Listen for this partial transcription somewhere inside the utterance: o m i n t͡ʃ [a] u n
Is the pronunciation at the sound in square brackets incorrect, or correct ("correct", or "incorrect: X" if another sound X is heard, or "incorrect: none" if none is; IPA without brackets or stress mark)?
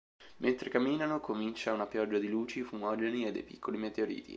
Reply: correct